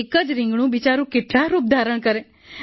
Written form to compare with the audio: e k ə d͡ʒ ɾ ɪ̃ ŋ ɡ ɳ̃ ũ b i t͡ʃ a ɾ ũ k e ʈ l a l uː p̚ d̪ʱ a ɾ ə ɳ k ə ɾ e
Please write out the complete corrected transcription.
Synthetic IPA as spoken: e k ə d͡ʒ ɾ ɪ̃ ŋ ɡ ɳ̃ ũ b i t͡ʃ a ɾ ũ k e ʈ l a ɾ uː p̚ d̪ʱ a ɾ ə ɳ k ə ɾ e